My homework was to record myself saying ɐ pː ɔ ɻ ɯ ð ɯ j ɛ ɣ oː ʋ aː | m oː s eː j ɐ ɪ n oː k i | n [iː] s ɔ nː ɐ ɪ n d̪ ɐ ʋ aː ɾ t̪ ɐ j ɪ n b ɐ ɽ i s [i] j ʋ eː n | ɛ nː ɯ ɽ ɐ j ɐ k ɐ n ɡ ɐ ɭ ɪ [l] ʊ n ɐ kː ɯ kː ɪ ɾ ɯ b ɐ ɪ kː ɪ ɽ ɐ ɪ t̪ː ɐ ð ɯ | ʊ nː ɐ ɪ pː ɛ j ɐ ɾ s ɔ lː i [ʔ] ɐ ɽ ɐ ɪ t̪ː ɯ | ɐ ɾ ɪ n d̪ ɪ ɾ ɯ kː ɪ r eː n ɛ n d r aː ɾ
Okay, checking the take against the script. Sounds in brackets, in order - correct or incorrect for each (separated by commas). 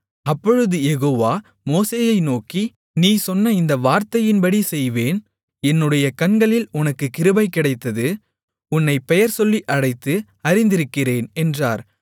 correct, incorrect, correct, correct